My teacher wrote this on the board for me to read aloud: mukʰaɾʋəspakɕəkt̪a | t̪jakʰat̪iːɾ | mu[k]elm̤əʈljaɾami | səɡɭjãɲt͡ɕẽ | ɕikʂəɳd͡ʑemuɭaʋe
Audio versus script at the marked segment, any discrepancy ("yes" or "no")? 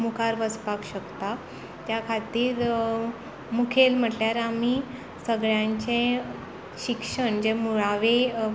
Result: yes